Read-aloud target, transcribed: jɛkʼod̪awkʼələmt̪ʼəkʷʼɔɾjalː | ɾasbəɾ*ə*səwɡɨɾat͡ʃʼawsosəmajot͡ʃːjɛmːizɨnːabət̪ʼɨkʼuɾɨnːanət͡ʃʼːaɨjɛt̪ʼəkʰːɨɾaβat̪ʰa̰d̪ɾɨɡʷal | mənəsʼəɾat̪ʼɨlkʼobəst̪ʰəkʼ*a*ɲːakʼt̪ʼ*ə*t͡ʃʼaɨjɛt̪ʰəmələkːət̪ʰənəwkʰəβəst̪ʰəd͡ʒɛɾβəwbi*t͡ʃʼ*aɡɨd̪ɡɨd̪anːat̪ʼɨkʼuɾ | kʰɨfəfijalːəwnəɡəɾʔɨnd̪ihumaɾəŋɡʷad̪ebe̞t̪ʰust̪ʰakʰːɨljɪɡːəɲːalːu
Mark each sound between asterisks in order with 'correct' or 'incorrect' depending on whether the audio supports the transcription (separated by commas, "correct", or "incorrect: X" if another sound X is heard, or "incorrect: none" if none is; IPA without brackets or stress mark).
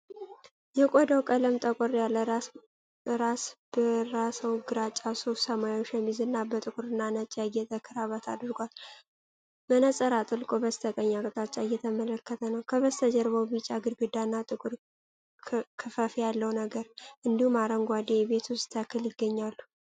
incorrect: a, incorrect: ə, incorrect: a, correct